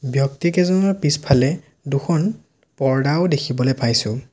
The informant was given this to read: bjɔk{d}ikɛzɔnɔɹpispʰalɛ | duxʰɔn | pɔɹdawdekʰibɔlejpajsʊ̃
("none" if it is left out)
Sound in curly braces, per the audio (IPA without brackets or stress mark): t